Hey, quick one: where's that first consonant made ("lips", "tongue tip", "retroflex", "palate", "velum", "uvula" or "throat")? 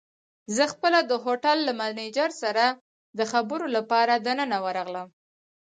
tongue tip